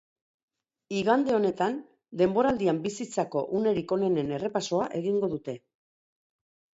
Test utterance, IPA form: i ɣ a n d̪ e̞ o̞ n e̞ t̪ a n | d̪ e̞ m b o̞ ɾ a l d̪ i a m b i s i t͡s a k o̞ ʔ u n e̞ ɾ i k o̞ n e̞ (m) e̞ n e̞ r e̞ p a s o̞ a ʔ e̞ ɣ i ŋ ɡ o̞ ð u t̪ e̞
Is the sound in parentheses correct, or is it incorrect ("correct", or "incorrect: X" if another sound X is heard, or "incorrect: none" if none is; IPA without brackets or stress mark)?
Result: incorrect: n